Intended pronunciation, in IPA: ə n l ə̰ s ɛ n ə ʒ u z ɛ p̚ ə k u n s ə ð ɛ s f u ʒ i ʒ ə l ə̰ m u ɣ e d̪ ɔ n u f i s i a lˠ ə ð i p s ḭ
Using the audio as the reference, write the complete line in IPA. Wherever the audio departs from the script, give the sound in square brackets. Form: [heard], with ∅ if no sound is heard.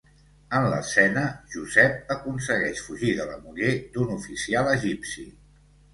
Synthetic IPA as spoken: ə n l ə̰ s ɛ n ə ʒ u z ɛ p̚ ə k u n s ə [ɣ] ɛ [ʃ] f u ʒ i [ð] ə l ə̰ m u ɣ e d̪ [u] n u f i s i a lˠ ə [ʒ] i p s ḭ